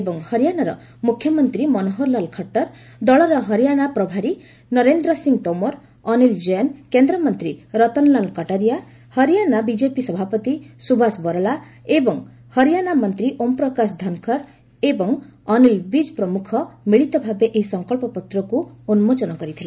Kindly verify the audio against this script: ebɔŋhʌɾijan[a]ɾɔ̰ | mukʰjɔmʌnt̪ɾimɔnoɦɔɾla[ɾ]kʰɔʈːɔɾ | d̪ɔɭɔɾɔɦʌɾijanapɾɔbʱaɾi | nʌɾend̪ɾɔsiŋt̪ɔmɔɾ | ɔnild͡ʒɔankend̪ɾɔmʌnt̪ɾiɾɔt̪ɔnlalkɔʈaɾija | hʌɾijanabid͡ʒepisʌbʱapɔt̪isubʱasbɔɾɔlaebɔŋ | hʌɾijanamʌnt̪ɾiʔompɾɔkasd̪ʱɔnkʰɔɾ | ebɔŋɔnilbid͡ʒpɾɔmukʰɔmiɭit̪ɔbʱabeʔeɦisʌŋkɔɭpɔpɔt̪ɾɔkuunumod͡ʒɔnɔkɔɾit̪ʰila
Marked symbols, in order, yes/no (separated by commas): yes, no